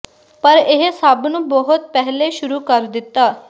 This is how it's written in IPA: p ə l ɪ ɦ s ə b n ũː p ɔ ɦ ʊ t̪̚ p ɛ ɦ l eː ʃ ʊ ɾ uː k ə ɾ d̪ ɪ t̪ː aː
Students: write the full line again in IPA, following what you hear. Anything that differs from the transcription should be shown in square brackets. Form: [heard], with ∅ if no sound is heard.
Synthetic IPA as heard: p ə [ɾ] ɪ ɦ s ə b n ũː [b] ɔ ɦ ʊ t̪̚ p ɛ ɦ l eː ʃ ʊ ɾ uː k ə ɾ d̪ ɪ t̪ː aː